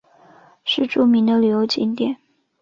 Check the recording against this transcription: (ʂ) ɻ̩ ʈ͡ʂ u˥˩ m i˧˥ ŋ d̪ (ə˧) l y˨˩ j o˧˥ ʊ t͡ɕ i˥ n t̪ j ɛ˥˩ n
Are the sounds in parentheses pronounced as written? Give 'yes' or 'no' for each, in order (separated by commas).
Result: yes, yes